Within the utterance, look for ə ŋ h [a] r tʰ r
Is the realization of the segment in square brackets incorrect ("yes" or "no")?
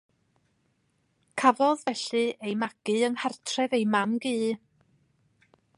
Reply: no